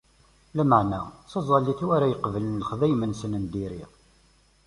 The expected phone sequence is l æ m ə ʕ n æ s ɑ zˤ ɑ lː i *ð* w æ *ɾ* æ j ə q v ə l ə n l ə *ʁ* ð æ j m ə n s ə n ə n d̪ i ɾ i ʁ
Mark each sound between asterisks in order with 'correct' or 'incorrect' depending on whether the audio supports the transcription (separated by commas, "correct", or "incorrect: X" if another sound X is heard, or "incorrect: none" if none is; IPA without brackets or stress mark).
incorrect: θ, correct, incorrect: χ